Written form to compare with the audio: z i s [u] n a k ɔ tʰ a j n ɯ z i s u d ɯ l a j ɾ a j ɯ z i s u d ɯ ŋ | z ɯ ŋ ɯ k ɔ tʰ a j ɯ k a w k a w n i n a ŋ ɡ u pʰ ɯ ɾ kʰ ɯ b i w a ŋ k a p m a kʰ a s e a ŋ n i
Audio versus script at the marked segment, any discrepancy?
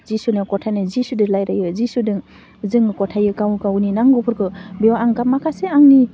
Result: no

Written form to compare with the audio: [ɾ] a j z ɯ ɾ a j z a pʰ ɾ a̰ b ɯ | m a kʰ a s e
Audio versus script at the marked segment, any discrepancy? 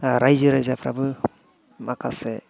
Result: no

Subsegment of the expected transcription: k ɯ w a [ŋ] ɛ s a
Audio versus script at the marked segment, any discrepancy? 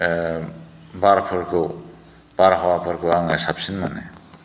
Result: no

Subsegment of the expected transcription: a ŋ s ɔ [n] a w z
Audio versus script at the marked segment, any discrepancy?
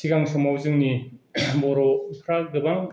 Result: yes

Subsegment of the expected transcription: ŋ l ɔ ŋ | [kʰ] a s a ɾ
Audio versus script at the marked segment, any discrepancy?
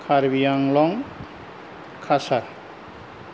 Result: no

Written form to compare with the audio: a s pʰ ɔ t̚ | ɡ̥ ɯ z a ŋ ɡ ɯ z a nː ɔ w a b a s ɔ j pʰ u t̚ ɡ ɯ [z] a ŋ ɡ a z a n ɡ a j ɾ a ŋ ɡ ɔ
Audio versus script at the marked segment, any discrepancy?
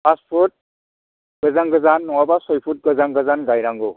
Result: no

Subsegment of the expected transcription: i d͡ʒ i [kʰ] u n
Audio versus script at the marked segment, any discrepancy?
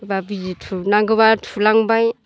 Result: yes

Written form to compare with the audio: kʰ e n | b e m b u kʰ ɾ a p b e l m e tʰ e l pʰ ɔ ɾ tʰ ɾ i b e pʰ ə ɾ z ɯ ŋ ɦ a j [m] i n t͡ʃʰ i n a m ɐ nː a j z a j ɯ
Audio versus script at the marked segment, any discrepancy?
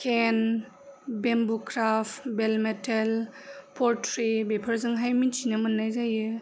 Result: no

